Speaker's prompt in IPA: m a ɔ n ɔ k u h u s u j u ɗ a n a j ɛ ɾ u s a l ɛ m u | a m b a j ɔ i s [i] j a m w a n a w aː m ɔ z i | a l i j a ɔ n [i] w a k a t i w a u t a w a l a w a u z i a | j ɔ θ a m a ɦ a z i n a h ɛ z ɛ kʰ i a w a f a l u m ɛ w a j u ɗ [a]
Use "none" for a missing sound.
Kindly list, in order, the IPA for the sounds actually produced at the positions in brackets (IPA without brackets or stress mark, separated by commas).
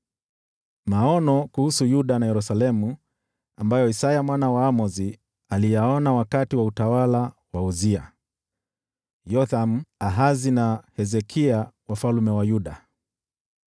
a, a, a